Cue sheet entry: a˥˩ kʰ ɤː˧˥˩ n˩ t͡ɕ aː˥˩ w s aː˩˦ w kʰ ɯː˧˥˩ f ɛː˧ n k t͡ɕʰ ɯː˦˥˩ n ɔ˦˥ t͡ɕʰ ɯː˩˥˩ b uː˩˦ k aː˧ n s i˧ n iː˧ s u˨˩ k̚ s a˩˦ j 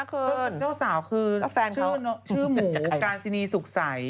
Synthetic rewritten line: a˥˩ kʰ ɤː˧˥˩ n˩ t͡ɕ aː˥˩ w s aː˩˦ w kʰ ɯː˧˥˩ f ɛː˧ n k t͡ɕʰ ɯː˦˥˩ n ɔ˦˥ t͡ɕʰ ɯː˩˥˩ m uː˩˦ k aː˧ n s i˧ n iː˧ s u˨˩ k̚ s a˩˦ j